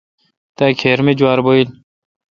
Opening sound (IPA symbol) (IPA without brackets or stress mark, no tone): t̪